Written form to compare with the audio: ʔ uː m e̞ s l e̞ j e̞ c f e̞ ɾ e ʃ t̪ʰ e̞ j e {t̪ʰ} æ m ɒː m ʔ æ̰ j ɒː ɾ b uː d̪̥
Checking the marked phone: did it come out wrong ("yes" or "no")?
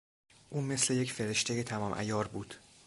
no